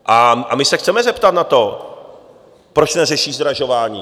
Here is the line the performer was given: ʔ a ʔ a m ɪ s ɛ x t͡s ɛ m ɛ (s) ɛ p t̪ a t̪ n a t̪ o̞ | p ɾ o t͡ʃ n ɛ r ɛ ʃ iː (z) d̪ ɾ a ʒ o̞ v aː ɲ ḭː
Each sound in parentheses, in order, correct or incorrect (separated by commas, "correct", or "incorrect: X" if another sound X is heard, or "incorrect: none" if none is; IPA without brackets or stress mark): incorrect: z, correct